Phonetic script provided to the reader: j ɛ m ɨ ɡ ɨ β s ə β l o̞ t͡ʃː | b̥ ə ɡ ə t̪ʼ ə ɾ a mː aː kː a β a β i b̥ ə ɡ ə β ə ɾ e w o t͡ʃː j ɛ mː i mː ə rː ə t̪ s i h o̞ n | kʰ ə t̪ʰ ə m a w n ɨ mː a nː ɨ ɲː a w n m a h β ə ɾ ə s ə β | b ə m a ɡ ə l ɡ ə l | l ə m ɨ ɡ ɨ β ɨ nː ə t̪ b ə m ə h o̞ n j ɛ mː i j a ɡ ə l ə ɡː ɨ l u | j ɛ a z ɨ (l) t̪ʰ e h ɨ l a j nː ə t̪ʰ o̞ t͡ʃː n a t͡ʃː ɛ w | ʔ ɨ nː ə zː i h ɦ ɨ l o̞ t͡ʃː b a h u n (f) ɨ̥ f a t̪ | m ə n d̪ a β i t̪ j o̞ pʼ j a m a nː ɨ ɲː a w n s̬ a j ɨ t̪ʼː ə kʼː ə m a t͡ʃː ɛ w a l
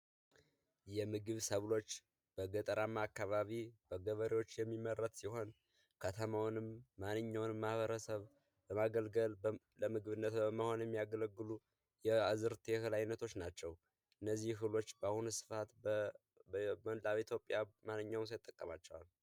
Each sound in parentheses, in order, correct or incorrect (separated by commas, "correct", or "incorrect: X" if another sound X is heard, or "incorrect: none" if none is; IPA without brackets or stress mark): incorrect: ɾ, incorrect: s